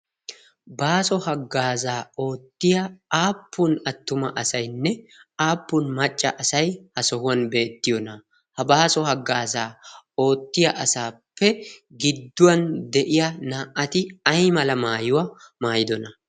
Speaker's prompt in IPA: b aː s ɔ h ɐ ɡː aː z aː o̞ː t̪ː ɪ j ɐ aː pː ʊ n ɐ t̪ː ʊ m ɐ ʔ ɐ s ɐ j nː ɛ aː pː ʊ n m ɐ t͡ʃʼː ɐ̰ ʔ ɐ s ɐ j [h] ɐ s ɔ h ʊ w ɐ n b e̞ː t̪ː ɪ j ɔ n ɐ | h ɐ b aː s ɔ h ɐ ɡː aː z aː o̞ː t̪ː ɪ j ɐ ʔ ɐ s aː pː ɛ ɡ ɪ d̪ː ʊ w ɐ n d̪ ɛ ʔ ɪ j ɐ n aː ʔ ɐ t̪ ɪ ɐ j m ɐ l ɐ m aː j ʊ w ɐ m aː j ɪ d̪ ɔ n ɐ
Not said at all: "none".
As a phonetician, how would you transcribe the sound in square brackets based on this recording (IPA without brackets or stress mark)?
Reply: h